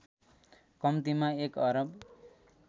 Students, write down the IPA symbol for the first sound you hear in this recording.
k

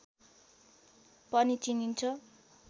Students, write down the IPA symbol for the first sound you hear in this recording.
p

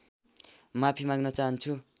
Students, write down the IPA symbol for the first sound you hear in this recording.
m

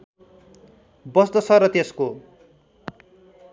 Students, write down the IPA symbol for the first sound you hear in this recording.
b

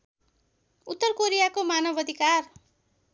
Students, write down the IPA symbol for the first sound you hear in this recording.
u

